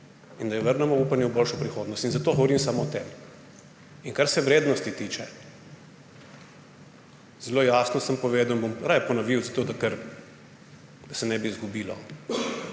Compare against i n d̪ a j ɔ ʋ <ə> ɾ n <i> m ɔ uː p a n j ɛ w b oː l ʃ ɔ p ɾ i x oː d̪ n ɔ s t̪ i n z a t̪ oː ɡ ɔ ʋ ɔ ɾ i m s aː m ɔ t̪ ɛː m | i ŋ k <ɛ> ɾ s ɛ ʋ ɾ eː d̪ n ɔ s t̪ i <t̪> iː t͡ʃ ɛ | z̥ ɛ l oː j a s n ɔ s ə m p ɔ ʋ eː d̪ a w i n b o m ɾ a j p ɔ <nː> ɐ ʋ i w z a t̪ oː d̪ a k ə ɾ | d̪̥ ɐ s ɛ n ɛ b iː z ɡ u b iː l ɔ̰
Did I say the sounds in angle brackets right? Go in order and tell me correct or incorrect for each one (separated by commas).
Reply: correct, incorrect, incorrect, correct, incorrect